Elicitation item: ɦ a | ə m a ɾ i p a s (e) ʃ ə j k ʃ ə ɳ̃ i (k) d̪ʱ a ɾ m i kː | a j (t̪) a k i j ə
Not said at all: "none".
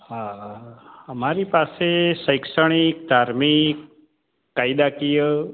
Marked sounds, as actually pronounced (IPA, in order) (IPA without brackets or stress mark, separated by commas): e, k, d̪